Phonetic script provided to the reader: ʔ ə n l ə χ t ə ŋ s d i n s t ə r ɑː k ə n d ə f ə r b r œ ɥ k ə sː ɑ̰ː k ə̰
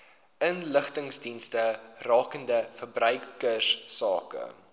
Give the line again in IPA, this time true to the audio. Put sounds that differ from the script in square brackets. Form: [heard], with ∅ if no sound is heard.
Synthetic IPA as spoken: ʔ ə n l ə χ t ə ŋ s d i n s t ə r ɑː k ə n d ə f ə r b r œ ɥ k ə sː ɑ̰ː k ə̰